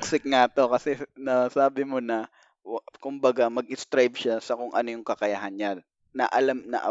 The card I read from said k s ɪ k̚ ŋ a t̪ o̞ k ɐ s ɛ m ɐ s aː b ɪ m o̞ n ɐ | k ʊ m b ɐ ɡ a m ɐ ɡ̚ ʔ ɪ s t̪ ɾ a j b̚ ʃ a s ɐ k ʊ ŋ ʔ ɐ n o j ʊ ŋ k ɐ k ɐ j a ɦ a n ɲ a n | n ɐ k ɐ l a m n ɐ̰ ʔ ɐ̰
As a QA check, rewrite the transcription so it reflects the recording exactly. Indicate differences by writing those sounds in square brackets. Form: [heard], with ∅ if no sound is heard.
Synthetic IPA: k s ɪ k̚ ŋ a t̪ o̞ k ɐ s ɛ [n] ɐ s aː b ɪ m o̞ n ɐ | k ʊ m b ɐ ɡ a m ɐ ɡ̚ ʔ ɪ s t̪ ɾ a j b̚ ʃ a s ɐ k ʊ ŋ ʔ ɐ n o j ʊ ŋ k ɐ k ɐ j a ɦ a n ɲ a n | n ɐ [ʔ] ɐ l a m n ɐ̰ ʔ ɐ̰